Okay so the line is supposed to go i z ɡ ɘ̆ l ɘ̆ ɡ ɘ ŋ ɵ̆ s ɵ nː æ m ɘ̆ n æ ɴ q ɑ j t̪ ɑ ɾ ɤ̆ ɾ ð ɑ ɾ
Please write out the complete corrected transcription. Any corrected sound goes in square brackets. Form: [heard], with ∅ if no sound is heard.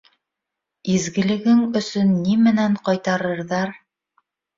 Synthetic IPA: i z ɡ ɘ̆ l ɘ̆ ɡ ɘ ŋ ɵ̆ s ɵ nː [i] m ɘ̆ n æ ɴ q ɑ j t̪ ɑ ɾ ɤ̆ ɾ ð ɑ ɾ